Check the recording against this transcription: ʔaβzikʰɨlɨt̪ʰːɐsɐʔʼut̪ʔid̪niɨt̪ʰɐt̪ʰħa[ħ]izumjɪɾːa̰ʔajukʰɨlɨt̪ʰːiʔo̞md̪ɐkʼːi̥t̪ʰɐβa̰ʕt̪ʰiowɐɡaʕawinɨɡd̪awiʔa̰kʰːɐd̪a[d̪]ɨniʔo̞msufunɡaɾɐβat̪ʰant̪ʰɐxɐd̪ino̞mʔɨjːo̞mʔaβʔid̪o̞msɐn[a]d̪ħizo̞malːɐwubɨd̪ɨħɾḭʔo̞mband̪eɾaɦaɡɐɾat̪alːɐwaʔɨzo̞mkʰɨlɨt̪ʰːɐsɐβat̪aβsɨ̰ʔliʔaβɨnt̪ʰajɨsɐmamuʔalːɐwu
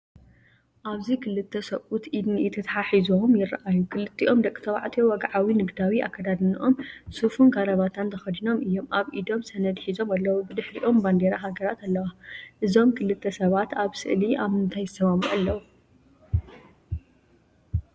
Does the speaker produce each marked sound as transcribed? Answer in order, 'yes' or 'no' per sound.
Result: yes, yes, no

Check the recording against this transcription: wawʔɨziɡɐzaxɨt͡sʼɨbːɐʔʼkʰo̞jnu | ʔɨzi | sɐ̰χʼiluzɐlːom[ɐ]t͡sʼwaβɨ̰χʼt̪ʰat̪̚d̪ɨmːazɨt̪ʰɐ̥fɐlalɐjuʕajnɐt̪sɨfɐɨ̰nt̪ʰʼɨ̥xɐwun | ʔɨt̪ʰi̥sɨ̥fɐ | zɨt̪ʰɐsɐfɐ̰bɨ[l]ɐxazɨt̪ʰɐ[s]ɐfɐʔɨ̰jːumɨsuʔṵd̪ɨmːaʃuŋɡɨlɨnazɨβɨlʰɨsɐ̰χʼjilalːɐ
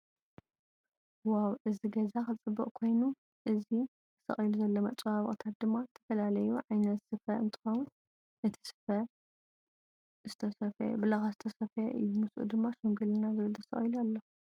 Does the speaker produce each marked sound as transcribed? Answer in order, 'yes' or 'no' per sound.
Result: yes, yes, yes

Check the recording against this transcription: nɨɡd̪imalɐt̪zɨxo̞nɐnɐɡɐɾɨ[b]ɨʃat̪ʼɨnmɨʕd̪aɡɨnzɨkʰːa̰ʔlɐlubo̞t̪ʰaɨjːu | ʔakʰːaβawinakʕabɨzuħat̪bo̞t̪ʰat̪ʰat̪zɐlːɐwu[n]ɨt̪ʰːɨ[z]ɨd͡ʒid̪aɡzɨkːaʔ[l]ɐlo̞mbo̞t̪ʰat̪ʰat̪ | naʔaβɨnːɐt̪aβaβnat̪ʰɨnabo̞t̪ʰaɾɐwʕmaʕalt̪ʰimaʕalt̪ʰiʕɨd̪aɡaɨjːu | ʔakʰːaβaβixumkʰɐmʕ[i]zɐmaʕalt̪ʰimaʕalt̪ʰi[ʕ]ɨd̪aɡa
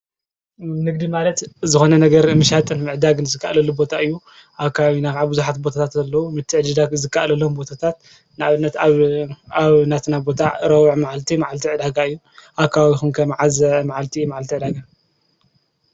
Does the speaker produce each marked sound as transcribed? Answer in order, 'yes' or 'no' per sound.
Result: no, no, no, yes, no, yes

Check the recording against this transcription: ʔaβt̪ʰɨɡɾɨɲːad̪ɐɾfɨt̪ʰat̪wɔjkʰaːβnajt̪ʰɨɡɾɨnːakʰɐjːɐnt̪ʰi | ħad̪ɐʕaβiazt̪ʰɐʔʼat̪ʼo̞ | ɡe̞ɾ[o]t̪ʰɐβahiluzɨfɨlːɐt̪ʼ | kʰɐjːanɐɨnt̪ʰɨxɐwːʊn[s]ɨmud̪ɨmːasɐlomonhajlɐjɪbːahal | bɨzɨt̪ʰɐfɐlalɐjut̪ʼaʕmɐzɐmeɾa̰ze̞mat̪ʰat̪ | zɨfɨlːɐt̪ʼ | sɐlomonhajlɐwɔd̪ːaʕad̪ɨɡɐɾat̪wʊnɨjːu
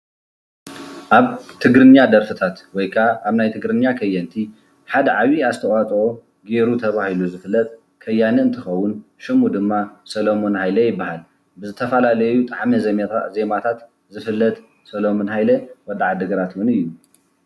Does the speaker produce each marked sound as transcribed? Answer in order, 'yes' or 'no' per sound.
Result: no, no

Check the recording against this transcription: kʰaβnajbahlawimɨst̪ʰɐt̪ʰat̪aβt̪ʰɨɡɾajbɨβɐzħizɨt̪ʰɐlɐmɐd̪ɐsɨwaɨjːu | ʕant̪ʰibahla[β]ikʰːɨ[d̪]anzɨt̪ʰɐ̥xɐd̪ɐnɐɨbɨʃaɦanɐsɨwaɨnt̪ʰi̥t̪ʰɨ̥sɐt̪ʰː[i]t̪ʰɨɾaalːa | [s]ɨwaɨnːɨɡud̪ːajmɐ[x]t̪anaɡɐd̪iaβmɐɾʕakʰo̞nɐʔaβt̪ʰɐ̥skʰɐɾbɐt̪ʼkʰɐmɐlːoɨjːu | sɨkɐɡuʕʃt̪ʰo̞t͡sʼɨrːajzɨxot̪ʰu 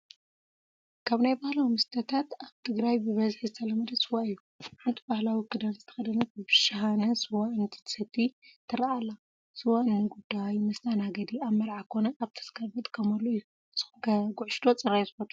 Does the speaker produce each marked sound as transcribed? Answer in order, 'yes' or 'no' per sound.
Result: no, yes, yes, yes, no

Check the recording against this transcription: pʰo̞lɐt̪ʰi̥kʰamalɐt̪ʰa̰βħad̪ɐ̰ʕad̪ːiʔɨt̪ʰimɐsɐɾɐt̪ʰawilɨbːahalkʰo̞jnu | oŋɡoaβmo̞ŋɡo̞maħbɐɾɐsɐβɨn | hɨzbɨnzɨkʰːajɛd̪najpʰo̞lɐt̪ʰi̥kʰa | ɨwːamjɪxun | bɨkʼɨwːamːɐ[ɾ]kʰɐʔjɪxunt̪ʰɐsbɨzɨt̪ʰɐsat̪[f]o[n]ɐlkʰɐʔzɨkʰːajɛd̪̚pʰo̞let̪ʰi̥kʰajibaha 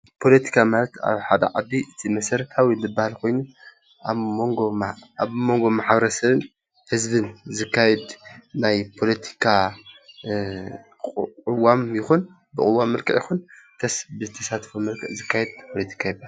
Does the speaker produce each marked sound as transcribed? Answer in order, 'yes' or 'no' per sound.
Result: no, yes, no

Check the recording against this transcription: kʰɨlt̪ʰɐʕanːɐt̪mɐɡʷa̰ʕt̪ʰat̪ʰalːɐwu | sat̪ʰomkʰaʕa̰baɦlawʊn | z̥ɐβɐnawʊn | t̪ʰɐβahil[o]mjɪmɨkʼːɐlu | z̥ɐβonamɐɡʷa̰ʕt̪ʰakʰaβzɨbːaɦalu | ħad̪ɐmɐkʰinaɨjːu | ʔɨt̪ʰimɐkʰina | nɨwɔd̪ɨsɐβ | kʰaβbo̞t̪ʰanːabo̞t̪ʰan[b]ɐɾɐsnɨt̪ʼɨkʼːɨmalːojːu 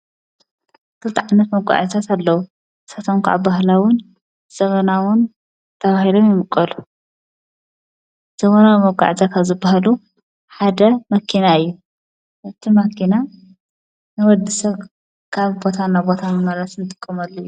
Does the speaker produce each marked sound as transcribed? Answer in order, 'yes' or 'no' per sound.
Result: yes, no

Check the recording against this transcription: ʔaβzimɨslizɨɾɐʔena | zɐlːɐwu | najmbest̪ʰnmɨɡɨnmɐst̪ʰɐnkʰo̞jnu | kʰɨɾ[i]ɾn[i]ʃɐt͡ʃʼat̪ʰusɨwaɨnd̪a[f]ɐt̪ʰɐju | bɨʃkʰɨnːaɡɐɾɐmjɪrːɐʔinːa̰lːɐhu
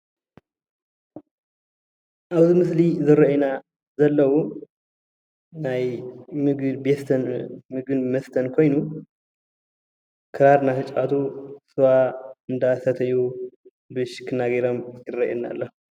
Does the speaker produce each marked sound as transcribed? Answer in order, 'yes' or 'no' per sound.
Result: no, no, no

